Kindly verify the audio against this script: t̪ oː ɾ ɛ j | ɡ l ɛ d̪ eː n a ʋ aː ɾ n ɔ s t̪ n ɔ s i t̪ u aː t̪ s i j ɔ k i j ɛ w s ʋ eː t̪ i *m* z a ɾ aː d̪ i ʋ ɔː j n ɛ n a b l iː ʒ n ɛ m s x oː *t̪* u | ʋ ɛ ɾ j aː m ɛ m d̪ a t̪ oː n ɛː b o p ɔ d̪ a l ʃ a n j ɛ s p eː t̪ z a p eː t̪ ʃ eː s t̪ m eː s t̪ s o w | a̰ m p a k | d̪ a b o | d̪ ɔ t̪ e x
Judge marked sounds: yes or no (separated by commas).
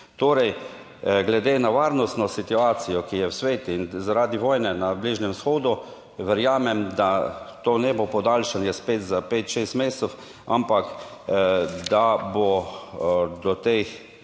no, no